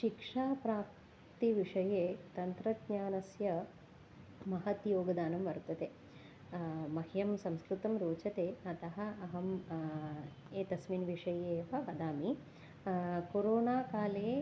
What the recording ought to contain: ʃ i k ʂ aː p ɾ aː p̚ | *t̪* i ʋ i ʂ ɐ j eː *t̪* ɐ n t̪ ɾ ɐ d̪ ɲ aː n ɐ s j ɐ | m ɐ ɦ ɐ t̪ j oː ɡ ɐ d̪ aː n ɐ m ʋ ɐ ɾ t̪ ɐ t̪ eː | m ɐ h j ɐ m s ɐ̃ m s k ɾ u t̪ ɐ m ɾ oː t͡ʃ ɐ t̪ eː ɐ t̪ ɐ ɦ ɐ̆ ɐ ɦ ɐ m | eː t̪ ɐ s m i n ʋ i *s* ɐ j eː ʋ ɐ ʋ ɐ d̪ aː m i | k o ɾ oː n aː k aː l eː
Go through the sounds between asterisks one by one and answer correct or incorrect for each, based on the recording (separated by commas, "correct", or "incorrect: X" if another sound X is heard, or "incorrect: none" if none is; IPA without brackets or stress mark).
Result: correct, correct, incorrect: ʂ